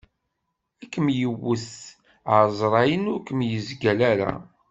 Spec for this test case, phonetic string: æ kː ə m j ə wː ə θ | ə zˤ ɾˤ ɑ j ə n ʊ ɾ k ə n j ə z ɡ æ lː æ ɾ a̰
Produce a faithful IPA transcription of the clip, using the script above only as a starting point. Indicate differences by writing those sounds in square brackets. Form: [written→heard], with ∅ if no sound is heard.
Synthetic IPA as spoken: æ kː ə m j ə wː ə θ | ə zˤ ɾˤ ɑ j ə n ʊ ɾ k ə [n→m] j ə z ɡ æ [lː→l] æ ɾ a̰